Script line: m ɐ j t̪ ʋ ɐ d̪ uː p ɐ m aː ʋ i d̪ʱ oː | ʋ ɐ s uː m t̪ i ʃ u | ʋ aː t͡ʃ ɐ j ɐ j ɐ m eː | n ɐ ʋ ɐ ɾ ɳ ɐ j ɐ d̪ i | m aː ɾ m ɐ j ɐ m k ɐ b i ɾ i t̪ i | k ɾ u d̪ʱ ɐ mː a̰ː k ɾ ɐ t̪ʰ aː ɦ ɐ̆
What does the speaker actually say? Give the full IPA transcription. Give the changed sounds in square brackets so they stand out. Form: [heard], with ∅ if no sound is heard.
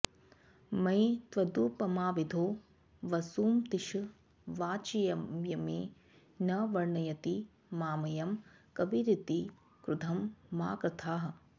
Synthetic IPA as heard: m ɐ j t̪ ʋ ɐ d̪ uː p ɐ m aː ʋ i d̪ʱ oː | ʋ ɐ s uː m t̪ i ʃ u | ʋ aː t͡ʃ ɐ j ɐ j ɐ m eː | n ɐ ʋ ɐ ɾ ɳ ɐ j ɐ [t̪] i | m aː [∅] m ɐ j ɐ m k ɐ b i ɾ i t̪ i | k ɾ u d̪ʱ ɐ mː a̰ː k ɾ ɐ t̪ʰ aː ɦ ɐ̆

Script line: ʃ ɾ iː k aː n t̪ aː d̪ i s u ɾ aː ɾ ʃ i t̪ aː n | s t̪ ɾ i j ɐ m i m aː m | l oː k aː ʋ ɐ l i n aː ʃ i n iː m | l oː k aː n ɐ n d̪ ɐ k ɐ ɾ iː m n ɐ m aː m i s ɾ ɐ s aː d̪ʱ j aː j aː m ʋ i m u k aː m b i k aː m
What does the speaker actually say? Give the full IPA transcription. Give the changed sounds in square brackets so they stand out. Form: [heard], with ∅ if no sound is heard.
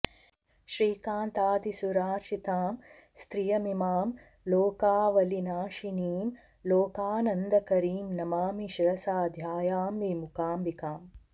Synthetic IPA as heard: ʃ ɾ iː k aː n t̪ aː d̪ i s u ɾ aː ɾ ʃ i t̪ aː [m] | s t̪ ɾ i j ɐ m i m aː m | l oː k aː ʋ ɐ l i n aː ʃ i n iː m | l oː k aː n ɐ n d̪ ɐ k ɐ ɾ iː m n ɐ m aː m i [ʃ] ɾ ɐ s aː d̪ʱ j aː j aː m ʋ i m u k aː m b i k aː m

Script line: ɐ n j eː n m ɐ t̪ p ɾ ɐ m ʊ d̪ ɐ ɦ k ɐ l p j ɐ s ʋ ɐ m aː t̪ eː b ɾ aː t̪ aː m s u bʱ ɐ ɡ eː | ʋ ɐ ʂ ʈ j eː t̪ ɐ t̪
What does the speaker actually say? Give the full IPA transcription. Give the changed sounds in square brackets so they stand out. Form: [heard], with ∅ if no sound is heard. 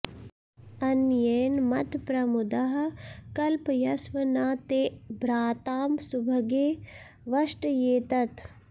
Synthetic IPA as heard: ɐ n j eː n m ɐ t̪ p ɾ ɐ m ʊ d̪ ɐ ɦ k ɐ l p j ɐ s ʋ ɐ [n] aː t̪ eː b ɾ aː t̪ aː m s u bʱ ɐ ɡ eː | ʋ ɐ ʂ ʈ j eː t̪ ɐ t̪

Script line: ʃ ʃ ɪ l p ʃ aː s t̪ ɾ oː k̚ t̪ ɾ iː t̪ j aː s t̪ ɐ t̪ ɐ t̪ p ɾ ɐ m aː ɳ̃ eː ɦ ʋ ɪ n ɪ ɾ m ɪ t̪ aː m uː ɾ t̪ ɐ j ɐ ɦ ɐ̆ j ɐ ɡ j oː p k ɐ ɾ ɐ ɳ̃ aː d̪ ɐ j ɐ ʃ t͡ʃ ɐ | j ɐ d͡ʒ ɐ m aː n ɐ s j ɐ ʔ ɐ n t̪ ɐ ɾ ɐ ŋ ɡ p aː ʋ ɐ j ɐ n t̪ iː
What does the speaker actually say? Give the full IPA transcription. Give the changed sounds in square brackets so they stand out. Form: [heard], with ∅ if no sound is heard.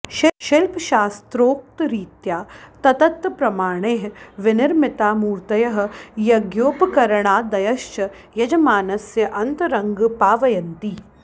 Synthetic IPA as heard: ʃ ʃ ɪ l p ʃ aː s t̪ ɾ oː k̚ t̪ ɾ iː t̪ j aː [∅] t̪ ɐ t̪ ɐ t̪ p ɾ ɐ m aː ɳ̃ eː ɦ ʋ ɪ n ɪ ɾ m ɪ t̪ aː m uː ɾ t̪ ɐ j ɐ ɦ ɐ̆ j ɐ ɡ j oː p k ɐ ɾ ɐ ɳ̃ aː d̪ ɐ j ɐ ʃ t͡ʃ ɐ | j ɐ d͡ʒ ɐ m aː n ɐ s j ɐ ʔ ɐ n t̪ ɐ ɾ ɐ ŋ ɡ p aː ʋ ɐ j ɐ n t̪ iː

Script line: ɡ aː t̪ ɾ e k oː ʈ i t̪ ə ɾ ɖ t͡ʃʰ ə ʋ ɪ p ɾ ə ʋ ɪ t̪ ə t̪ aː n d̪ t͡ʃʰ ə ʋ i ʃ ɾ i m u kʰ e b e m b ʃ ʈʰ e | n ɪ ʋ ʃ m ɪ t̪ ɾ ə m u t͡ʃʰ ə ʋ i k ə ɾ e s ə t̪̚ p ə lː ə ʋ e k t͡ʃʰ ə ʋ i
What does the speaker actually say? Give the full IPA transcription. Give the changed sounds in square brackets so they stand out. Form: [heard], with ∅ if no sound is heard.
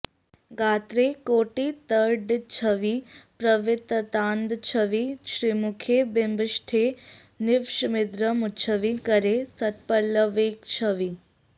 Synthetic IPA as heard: ɡ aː t̪ ɾ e k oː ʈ i t̪ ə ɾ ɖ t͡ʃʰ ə ʋ [i] p ɾ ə ʋ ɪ t̪ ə t̪ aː n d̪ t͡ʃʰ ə ʋ i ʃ ɾ i m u kʰ e b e m b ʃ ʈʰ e | n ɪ ʋ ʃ m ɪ [d̪] ɾ ə m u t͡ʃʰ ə ʋ i k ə ɾ e s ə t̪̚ p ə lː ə ʋ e k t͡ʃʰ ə ʋ i

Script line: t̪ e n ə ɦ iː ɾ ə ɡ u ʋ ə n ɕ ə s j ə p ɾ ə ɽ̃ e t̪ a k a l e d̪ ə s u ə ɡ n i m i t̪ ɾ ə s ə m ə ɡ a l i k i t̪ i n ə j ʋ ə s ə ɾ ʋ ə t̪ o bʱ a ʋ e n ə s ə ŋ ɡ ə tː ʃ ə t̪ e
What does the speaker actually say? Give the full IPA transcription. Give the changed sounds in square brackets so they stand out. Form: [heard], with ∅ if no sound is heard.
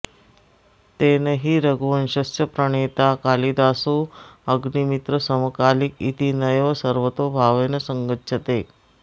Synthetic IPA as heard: t̪ e n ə ɦ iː ɾ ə ɡ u ʋ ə n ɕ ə s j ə p ɾ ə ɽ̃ e t̪ a k a l [i] d̪ [a] s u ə ɡ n i m i t̪ ɾ ə s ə m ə [k] a l i k i t̪ i n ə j ʋ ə s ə ɾ ʋ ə t̪ o bʱ a ʋ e n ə s ə ŋ ɡ ə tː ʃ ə t̪ e

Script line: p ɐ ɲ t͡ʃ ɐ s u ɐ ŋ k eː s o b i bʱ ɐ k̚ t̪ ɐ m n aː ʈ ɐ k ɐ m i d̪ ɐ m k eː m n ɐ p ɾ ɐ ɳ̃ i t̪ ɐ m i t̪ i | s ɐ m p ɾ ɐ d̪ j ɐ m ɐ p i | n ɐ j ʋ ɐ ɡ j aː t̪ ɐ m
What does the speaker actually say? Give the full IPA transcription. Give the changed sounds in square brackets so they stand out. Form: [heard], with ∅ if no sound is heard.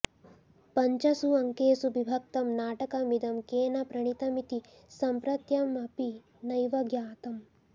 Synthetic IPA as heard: p ɐ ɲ t͡ʃ ɐ s u ɐ ŋ k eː s [u] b i bʱ ɐ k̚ t̪ ɐ m n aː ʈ ɐ k ɐ m i d̪ ɐ m k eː [∅] n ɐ p ɾ ɐ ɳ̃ i t̪ ɐ m i t̪ i | s ɐ m p ɾ ɐ [t̪] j ɐ m ɐ p i | n ɐ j ʋ ɐ ɡ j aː t̪ ɐ m

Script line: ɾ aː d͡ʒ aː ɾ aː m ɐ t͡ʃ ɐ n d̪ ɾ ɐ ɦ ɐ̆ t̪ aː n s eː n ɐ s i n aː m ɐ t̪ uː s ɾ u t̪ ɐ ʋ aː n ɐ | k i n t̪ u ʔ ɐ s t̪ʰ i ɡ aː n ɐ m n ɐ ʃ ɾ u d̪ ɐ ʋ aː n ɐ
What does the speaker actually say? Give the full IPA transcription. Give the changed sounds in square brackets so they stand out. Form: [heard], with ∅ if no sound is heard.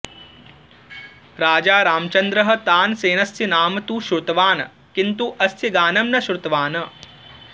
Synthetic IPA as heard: ɾ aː d͡ʒ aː ɾ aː m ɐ t͡ʃ ɐ n d̪ ɾ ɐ ɦ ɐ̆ t̪ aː n s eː n ɐ s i n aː m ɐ t̪ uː [ʃ] ɾ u t̪ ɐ ʋ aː n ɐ | k i n t̪ u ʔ ɐ s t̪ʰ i ɡ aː n ɐ m n ɐ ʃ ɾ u [t̪] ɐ ʋ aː n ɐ

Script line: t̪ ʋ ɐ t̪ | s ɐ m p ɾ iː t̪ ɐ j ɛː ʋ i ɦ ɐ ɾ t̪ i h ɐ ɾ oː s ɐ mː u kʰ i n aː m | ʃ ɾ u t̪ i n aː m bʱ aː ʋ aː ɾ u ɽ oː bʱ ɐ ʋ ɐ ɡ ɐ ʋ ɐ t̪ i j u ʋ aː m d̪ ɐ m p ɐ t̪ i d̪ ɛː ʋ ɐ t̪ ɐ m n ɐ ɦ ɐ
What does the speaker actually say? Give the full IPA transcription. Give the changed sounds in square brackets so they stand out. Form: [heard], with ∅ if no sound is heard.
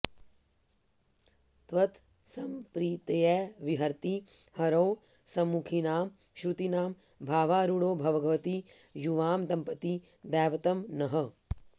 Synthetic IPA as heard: t̪ ʋ ɐ t̪ | s ɐ m p ɾ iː t̪ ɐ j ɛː ʋ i ɦ ɐ ɾ t̪ i h ɐ ɾ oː s ɐ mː u kʰ i n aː m | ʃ ɾ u t̪ i n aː m bʱ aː ʋ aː ɾ u ɽ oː bʱ ɐ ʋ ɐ ɡ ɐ ʋ ɐ t̪ i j u ʋ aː m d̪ ɐ m p ɐ t̪ i d̪ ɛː ʋ ɐ t̪ ɐ m n ɐ ɦ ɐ

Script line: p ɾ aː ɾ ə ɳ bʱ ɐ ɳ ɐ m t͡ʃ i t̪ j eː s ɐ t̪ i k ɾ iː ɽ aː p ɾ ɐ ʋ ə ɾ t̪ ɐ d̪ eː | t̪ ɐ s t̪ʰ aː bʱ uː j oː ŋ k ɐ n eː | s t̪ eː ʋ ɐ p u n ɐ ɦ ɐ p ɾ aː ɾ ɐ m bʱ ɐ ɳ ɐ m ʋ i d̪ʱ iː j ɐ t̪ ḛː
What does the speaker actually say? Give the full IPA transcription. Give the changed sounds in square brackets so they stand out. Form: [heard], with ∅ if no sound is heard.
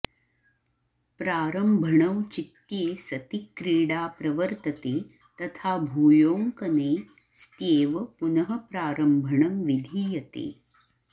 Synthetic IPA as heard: p ɾ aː ɾ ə [m] bʱ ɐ ɳ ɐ m t͡ʃ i t̪ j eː s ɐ t̪ i k ɾ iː ɽ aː p ɾ ɐ ʋ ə ɾ t̪ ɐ [t̪] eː | t̪ ɐ [∅] t̪ʰ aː bʱ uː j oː ŋ k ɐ n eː | s t̪ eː ʋ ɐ p u n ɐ ɦ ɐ p ɾ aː ɾ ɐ m bʱ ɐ ɳ ɐ m ʋ i d̪ʱ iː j ɐ t̪ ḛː

